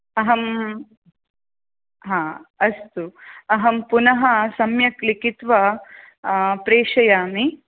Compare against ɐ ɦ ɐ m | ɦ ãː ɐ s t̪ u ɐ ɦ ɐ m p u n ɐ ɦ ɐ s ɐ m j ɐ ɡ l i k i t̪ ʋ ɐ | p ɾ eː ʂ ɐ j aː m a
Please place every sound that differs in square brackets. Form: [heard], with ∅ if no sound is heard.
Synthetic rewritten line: ɐ ɦ ɐ m | ɦ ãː ɐ s t̪ u ɐ ɦ ɐ m p u n ɐ ɦ ɐ s ɐ m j ɐ [k] l i k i t̪ ʋ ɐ | p ɾ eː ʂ ɐ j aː m [i]